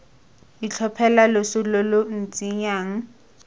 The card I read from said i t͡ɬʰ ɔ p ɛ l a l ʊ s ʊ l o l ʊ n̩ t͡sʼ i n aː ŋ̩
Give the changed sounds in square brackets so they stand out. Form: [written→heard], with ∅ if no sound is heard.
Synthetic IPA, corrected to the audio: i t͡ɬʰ ɔ [p→pʰ] ɛ l a l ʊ s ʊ l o l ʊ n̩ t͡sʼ i [n→ɲ] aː ŋ̩